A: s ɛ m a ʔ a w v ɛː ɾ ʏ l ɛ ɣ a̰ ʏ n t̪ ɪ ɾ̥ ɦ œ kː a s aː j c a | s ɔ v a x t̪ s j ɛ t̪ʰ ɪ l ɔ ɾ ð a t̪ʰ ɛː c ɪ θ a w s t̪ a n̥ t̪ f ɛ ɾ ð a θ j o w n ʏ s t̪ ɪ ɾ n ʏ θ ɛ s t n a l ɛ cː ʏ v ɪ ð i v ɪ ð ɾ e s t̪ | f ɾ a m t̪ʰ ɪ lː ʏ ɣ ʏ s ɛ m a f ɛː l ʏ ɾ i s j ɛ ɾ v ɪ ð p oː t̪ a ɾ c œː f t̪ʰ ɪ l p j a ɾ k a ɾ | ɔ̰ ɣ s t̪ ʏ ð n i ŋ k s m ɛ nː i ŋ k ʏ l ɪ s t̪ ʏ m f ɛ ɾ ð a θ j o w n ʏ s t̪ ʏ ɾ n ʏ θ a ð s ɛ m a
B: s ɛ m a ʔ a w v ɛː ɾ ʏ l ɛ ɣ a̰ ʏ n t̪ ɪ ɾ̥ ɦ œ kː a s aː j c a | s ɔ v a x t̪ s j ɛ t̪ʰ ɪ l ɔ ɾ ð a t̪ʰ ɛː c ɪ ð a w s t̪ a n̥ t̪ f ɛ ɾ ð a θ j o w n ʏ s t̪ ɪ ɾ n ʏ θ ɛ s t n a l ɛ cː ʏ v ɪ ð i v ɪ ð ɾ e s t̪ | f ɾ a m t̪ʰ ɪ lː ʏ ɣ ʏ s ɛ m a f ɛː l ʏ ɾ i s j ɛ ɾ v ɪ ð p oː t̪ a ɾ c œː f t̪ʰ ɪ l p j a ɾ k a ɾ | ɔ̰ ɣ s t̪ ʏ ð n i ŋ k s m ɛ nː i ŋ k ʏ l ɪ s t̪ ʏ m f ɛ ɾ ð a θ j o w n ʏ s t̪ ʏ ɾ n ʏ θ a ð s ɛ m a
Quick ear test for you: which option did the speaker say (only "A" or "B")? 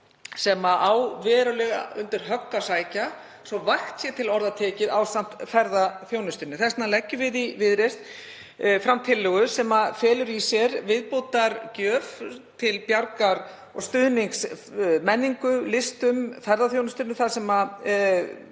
B